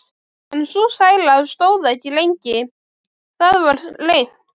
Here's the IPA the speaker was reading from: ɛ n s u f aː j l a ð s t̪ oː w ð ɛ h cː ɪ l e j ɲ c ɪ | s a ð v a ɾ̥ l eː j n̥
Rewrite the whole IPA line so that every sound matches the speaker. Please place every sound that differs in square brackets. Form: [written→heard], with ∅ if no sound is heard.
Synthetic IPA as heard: ɛ n s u [f→s] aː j l a ð s t̪ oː w ð ɛ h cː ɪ l e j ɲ c ɪ | [s→θ] a ð v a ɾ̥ l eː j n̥